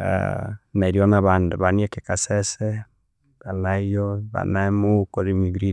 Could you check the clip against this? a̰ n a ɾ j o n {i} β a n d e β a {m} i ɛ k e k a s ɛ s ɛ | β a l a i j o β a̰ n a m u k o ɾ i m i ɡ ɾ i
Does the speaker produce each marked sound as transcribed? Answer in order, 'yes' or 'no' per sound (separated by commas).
no, no